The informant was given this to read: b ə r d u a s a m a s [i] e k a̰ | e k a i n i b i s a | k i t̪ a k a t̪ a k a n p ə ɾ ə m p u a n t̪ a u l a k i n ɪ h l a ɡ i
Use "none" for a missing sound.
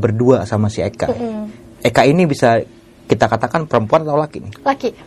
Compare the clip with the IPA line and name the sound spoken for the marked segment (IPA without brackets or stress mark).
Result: i